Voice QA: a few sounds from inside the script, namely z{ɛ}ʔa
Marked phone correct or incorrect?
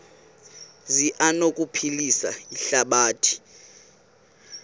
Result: incorrect